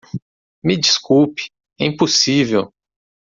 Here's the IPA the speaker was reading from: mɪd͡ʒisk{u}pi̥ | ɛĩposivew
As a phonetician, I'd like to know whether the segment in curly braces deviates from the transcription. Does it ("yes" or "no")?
no